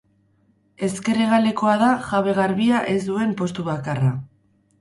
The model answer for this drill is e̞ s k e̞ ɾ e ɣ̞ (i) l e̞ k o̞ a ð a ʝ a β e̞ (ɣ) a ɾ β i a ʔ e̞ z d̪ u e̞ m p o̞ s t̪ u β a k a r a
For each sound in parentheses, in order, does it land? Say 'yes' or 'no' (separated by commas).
no, yes